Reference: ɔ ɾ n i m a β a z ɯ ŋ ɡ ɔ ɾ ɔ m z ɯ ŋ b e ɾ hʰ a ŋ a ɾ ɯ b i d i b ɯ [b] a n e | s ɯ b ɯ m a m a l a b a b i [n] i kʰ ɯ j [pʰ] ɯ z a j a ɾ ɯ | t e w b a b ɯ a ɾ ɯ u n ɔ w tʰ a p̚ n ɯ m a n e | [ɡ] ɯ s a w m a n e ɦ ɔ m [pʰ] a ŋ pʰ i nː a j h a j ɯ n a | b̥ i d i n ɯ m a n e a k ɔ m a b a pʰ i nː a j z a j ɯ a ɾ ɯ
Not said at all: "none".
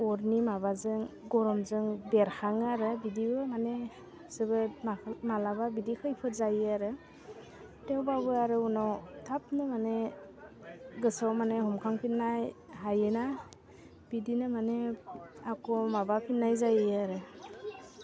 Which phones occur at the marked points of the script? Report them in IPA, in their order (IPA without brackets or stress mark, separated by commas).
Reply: m, d, pʰ, ɡ, kʰ